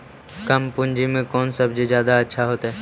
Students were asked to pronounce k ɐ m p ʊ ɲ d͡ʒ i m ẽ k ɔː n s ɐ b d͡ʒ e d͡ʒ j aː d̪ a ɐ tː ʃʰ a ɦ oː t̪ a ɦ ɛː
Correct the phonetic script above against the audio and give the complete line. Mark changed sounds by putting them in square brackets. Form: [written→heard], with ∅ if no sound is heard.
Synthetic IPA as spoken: k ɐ m p ʊ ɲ d͡ʒ i m ẽ k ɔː n s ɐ b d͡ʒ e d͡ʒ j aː d̪ a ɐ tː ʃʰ a ɦ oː t̪ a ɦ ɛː